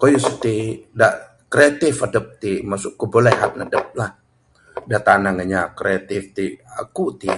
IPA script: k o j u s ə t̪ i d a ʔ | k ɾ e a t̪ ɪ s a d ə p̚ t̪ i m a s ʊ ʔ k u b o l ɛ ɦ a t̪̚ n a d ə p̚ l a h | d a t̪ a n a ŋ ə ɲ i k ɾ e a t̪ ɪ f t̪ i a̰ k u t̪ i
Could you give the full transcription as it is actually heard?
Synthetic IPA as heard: k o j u s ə t̪ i d a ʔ | k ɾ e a t̪ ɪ f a d ə p̚ t̪ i m a s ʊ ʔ k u b o l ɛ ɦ a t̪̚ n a d ə p̚ l a h | d a t̪ a n a ŋ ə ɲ a k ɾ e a t̪ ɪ f t̪ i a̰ k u t̪ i